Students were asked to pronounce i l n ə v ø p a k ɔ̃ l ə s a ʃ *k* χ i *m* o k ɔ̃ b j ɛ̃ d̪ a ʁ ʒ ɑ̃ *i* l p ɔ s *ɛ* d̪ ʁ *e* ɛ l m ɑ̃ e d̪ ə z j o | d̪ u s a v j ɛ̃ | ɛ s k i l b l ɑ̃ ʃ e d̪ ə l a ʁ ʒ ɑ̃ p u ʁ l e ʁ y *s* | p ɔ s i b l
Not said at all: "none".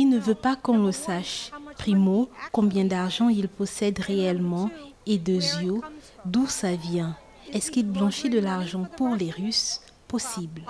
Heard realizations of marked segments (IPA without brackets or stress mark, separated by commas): p, m, i, ɛ, e, s